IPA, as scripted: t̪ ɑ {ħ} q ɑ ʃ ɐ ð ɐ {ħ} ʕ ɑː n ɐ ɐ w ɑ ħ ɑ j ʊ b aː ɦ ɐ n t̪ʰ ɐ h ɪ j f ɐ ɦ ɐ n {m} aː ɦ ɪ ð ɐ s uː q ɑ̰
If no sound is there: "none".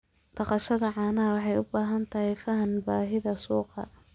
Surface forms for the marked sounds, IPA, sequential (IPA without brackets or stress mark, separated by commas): none, none, b